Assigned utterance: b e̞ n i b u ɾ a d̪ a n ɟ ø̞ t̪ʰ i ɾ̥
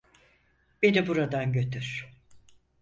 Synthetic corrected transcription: b e̞ n i b u ɾ a d̪ a n ɟ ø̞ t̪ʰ y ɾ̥